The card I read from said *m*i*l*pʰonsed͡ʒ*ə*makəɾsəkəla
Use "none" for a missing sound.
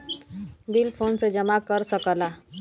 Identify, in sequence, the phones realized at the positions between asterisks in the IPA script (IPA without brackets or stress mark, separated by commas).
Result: b, l, ə